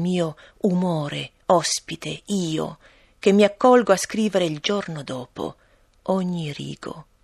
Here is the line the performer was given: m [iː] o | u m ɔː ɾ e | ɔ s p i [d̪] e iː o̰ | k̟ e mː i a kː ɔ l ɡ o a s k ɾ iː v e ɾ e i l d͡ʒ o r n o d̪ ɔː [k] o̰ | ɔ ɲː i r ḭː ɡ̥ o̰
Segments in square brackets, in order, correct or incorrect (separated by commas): correct, incorrect, incorrect